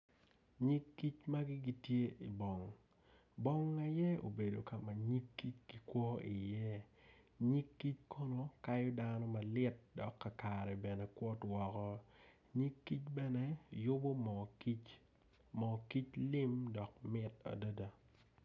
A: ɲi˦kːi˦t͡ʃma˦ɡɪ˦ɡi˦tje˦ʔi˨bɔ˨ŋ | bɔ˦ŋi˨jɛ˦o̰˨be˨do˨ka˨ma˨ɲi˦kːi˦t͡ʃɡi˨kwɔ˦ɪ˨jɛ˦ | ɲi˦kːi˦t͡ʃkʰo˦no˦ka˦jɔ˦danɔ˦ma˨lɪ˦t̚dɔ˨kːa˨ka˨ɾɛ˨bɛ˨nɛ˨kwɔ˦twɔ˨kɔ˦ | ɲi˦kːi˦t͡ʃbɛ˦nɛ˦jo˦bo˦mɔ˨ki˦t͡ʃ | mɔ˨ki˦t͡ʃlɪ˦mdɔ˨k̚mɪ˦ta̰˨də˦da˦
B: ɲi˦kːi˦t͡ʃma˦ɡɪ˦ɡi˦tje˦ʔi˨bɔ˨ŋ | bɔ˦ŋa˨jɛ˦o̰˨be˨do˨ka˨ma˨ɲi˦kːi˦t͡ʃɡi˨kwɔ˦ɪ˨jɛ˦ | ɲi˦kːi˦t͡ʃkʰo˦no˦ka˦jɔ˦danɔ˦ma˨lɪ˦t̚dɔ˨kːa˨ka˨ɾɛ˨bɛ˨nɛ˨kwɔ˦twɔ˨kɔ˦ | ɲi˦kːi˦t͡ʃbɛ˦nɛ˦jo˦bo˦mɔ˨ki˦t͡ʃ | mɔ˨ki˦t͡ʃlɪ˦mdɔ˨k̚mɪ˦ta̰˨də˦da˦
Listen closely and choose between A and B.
B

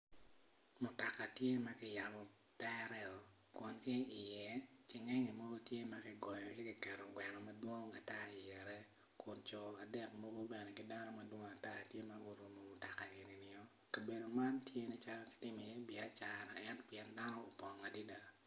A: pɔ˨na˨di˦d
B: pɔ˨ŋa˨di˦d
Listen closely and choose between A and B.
B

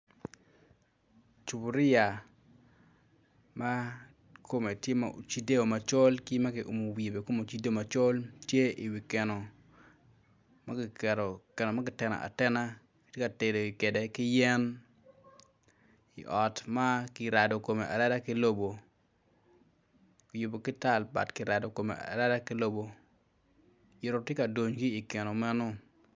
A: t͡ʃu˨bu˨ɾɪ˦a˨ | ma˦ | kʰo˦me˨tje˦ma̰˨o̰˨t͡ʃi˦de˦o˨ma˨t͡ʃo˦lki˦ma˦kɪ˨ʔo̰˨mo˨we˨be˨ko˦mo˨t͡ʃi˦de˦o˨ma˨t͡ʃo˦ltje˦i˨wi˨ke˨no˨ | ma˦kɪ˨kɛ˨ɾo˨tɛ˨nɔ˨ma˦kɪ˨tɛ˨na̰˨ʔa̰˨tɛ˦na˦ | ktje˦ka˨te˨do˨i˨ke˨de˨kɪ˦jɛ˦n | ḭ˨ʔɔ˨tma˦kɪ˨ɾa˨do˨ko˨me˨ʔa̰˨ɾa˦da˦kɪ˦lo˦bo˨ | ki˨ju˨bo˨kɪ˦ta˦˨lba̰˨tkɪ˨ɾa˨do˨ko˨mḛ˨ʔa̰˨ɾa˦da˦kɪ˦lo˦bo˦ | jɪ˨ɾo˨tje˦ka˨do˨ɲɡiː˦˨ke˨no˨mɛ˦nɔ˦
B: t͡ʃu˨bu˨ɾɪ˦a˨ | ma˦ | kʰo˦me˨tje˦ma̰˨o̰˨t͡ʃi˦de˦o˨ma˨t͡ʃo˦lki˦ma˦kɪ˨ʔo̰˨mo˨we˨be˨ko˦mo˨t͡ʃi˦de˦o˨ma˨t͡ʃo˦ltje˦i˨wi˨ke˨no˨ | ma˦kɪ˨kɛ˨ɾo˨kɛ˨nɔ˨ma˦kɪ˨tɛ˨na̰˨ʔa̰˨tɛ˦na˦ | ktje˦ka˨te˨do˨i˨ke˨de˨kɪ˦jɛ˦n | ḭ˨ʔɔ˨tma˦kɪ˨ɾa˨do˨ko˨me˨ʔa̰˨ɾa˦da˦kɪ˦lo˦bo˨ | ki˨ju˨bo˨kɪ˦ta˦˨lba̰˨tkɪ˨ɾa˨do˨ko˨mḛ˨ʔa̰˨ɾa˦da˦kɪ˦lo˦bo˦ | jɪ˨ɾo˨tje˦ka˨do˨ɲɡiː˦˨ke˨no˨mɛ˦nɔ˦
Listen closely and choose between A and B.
B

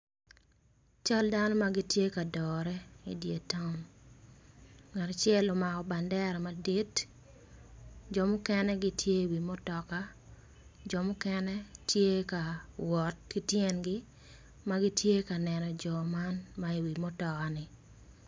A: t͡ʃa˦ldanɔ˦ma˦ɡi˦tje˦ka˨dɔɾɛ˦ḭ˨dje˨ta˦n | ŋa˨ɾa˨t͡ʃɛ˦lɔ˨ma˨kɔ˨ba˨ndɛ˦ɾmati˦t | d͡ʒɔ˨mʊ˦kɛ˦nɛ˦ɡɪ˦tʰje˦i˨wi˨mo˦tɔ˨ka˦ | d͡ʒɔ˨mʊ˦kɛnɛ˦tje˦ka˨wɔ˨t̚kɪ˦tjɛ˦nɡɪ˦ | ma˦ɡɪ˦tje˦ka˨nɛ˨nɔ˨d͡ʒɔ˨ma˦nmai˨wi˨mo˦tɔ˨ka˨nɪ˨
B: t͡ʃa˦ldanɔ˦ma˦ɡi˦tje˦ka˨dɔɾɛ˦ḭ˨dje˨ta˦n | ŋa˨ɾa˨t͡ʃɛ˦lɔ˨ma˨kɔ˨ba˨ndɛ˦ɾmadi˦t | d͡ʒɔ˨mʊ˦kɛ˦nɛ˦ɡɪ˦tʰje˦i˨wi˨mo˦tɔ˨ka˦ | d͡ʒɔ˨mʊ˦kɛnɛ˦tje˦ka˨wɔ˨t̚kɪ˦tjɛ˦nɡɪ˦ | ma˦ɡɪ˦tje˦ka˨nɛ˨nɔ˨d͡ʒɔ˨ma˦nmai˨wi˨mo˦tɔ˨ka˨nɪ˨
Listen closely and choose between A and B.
B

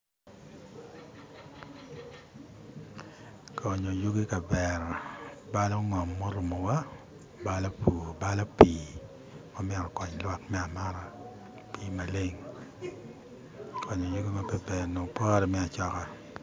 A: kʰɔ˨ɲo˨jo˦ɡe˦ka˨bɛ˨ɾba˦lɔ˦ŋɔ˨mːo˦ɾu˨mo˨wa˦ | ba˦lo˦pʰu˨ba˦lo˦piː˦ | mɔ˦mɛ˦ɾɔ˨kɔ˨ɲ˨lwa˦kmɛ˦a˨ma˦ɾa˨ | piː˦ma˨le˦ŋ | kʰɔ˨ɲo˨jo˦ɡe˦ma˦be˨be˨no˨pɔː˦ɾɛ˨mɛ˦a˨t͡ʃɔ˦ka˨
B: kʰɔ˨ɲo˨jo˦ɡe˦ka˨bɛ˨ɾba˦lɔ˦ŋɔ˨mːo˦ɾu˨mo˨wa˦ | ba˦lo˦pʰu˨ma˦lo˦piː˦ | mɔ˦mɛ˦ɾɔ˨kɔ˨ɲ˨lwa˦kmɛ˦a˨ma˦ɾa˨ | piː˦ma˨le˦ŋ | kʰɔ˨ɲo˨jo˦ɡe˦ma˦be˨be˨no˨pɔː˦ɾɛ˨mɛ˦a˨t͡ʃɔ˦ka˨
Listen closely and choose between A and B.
A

